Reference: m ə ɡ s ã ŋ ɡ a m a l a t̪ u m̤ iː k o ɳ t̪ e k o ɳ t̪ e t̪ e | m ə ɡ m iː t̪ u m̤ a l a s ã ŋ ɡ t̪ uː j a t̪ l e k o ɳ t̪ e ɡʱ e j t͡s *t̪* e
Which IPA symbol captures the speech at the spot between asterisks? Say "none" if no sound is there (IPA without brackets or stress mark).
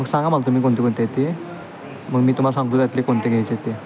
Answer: t̪